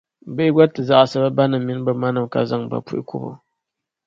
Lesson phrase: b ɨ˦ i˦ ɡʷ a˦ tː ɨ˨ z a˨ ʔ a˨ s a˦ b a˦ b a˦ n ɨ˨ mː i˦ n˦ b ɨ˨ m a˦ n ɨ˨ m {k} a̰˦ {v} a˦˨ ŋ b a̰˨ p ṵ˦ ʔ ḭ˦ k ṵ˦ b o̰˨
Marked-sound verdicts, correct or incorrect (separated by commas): correct, incorrect